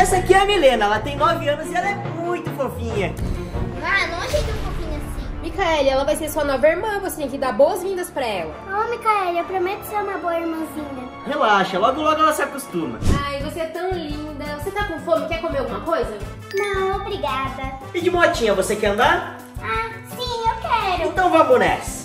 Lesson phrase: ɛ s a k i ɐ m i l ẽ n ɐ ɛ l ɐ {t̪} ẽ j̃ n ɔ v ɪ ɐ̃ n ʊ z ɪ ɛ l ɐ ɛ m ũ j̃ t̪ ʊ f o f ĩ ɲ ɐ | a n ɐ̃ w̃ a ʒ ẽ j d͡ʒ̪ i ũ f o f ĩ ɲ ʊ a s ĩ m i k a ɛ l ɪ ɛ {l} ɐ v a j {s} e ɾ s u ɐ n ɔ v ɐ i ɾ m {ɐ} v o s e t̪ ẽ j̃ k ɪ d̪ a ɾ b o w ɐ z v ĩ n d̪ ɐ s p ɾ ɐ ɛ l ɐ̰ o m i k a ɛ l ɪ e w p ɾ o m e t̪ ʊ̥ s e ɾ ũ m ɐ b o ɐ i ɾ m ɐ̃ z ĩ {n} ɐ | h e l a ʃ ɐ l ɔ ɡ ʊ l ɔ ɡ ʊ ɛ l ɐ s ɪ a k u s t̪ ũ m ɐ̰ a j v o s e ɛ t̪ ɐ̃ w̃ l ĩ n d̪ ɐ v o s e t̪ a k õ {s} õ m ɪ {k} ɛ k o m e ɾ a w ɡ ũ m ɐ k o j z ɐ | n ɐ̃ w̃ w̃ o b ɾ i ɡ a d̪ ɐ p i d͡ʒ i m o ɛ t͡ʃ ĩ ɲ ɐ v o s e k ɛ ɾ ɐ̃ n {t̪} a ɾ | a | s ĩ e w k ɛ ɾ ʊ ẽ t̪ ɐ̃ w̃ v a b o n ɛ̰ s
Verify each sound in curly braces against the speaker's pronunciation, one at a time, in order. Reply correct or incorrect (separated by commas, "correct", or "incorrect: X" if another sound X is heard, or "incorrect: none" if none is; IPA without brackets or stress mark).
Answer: correct, correct, correct, incorrect: ɐ̃, incorrect: ɲ, incorrect: f, correct, incorrect: d̪